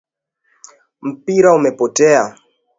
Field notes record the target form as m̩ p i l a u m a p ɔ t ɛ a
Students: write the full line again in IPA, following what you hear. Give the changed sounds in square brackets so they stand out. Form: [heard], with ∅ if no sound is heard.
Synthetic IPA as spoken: m̩ p i [ɾ] a u m [ɛ] p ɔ t ɛ a